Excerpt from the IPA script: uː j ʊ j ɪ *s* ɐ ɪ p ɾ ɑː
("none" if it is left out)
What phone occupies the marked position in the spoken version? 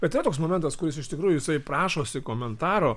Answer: s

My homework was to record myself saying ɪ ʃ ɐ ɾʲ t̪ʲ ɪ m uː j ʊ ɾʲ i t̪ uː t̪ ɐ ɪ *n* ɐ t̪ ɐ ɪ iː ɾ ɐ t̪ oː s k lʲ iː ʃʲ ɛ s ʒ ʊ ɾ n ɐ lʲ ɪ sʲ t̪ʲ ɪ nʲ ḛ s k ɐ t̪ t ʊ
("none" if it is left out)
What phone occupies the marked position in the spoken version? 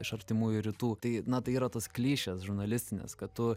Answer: n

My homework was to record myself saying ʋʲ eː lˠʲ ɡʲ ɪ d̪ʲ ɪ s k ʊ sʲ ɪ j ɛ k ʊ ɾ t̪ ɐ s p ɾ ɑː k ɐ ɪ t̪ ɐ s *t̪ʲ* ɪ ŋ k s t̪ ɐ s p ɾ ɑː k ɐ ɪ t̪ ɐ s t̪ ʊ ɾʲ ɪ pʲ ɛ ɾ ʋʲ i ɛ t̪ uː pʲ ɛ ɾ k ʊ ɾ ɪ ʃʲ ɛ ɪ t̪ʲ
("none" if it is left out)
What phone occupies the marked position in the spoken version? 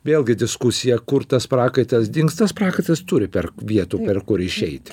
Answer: d̪ʲ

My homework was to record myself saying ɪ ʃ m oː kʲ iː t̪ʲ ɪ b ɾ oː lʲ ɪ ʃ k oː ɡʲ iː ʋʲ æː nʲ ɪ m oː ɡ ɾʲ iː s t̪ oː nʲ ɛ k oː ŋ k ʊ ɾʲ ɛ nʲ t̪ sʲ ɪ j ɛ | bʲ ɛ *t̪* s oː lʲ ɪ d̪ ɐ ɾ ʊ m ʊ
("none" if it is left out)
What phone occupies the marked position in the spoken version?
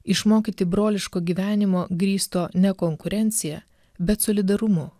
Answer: t̪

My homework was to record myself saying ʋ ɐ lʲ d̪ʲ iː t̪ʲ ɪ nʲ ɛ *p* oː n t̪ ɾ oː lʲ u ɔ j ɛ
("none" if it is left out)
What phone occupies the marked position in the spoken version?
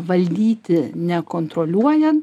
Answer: k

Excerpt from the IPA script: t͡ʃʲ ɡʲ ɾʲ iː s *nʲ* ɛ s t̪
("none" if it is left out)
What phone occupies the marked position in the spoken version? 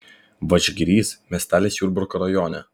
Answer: mʲ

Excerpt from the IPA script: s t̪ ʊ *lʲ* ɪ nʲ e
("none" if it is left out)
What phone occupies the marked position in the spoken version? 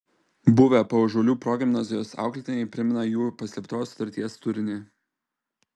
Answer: ɾʲ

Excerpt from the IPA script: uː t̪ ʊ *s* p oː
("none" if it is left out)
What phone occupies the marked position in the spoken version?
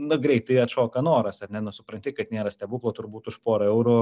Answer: ʃ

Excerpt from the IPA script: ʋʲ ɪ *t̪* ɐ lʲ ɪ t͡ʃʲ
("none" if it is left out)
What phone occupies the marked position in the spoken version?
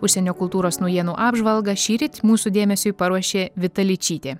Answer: t̪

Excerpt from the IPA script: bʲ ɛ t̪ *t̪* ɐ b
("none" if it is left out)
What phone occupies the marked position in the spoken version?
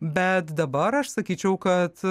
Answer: d̪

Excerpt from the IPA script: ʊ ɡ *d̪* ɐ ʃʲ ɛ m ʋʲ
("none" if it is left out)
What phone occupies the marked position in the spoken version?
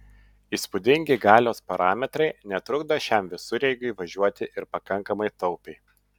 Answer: d̪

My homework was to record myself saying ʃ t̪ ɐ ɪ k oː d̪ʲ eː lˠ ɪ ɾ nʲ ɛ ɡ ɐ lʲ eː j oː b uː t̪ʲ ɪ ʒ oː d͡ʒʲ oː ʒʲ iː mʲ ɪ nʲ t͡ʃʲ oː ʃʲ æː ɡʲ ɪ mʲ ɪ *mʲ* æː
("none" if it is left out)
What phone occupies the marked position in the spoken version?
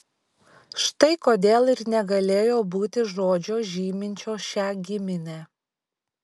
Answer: nʲ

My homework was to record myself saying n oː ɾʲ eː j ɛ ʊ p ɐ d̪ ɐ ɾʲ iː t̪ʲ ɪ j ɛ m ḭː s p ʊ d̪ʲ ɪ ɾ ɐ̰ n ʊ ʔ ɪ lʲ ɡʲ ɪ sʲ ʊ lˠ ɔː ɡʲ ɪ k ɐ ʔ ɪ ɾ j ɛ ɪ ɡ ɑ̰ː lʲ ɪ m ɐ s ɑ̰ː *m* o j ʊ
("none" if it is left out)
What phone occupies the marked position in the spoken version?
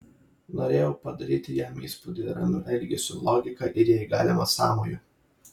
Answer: m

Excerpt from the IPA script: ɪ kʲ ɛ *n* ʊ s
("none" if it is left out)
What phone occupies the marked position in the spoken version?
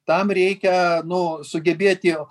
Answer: n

